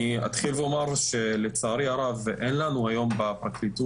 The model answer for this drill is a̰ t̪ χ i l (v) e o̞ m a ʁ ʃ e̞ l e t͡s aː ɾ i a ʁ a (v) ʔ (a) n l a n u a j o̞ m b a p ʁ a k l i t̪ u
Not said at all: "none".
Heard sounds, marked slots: v, v, e

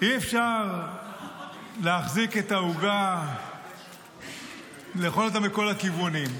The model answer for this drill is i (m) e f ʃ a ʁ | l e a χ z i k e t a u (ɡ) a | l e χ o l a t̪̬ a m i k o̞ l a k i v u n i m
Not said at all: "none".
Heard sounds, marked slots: none, ɡ

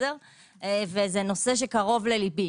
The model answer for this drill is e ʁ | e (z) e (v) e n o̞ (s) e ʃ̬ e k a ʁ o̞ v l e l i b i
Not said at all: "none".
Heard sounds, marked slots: v, z, s

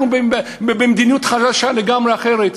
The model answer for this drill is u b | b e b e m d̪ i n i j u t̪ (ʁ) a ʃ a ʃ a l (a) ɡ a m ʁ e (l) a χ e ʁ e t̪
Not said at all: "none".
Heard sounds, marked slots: χ, e, none

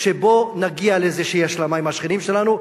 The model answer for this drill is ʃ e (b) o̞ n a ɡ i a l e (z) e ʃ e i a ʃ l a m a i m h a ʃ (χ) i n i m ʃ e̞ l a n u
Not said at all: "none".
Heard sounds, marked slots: b, z, χ

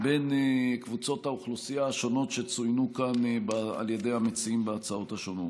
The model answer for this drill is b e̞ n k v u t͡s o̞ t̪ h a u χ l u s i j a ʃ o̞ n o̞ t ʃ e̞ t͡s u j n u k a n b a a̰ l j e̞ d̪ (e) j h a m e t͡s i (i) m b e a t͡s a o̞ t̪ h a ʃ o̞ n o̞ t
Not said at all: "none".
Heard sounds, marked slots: e, i

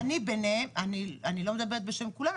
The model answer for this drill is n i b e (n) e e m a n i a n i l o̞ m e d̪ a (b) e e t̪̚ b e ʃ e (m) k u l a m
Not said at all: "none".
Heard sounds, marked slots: n, b, m

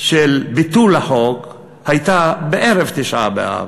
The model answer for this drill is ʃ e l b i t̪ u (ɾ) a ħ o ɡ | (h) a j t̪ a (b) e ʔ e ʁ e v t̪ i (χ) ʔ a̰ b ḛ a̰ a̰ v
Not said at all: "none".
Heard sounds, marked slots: l, h, b, ʃ

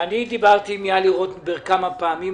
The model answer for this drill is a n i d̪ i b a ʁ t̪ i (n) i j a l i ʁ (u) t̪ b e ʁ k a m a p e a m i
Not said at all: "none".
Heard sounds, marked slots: m, o

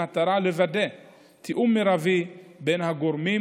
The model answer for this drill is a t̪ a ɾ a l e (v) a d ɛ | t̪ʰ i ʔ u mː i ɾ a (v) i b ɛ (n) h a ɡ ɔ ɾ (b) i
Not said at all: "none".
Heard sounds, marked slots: v, v, n, m

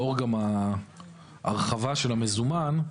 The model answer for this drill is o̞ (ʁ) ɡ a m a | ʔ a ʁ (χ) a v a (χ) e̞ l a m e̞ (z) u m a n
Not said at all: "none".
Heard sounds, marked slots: ʁ, χ, ʃ, z

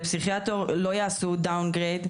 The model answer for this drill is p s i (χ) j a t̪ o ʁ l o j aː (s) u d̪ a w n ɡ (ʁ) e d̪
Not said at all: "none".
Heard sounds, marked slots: χ, s, ʁ

